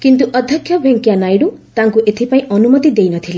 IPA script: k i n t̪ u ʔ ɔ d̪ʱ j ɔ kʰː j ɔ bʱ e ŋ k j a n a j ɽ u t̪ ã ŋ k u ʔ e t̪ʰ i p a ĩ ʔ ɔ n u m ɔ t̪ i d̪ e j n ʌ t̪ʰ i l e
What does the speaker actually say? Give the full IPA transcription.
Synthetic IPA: k i n t̪ u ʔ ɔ d̪ʱ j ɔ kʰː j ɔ bʱ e ŋ k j a n a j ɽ u t̪ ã ŋ k u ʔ e t̪ʰ i p a ĩ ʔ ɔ n u m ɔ t̪ i d̪ e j n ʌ t̪ʰ i l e